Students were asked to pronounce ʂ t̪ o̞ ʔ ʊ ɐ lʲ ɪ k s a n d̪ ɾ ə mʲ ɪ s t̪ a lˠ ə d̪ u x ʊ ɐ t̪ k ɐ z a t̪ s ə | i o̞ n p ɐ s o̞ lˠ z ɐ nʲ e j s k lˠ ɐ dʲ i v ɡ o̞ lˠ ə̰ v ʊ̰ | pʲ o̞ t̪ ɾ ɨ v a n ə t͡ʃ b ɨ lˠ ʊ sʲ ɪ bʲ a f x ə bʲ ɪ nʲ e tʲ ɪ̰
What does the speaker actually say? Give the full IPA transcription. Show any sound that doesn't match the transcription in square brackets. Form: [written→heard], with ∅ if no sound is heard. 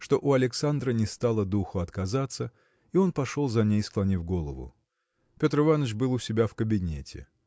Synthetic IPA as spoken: ʂ t̪ o̞ ʔ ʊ ɐ lʲ ɪ k s a n d̪ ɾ ə [mʲ→nʲ] ɪ s t̪ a lˠ ə d̪ u x ʊ ɐ t̪ k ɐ z a t̪ s ə | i o̞ n p ɐ [s→ʂ] o̞ lˠ z ɐ nʲ e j s k lˠ ɐ [dʲ→nʲ] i v ɡ o̞ lˠ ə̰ v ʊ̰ | pʲ o̞ t̪ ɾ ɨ v a n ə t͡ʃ b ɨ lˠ ʊ sʲ ɪ bʲ a f [x→k] ə bʲ ɪ nʲ e tʲ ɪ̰